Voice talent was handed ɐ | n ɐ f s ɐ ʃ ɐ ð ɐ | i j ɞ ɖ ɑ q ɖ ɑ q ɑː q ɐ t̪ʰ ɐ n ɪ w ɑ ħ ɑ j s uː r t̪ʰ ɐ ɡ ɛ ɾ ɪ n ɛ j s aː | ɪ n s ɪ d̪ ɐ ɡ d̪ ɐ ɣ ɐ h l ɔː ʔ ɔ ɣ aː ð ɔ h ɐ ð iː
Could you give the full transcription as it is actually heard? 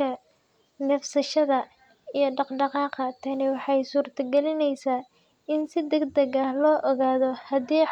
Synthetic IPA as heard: ɐ | n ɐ f s ɐ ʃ ɐ ð ɐ | i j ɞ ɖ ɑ q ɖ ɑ q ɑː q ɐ t̪ʰ ɐ n ɪ w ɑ ħ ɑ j s uː r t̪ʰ ɐ ɡ ɛ l ɪ n ɛ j s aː | ɪ n s ɪ d̪ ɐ ɡ d̪ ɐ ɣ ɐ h l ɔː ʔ ɔ ɣ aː ð ɔ h ɐ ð iː